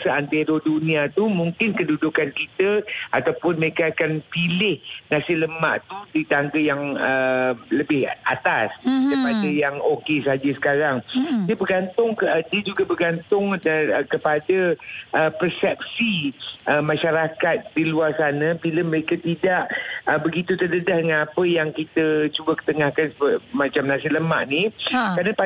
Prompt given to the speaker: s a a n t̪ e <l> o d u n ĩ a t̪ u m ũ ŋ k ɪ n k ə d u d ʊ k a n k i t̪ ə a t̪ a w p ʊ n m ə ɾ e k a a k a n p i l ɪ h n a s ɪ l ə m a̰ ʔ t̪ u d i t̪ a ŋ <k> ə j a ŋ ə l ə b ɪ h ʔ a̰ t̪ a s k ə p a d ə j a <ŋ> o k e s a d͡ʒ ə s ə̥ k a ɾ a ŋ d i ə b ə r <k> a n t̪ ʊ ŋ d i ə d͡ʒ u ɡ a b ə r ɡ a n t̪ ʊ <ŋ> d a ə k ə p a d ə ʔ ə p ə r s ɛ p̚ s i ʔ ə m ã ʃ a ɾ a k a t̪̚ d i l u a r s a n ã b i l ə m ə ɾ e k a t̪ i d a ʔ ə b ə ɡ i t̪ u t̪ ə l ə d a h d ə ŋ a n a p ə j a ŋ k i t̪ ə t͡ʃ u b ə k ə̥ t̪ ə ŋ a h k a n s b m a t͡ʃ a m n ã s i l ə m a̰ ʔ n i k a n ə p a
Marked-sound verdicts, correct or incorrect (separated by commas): incorrect, incorrect, correct, incorrect, correct